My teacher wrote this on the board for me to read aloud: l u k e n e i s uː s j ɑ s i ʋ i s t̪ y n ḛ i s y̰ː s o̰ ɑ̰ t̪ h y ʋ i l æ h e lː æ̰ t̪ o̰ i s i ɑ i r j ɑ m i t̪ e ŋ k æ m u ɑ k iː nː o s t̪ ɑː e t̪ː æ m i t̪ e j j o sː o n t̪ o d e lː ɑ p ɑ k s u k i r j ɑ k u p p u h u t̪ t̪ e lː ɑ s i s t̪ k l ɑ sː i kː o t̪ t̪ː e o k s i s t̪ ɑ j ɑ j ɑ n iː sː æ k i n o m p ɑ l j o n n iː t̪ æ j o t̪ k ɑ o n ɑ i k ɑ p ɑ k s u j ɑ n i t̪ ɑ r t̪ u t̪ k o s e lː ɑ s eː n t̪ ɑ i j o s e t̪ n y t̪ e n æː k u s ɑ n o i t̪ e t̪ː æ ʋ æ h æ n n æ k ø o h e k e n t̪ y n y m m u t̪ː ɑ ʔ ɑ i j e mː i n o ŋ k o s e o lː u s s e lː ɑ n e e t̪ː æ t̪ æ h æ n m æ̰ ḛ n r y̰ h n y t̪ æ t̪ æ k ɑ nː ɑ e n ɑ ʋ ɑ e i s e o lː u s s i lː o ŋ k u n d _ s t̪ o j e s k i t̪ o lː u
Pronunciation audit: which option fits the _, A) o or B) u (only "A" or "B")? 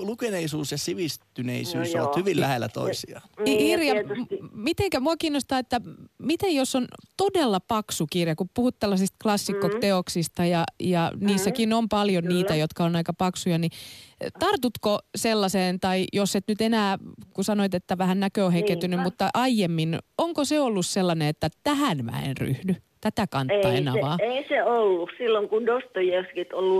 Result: A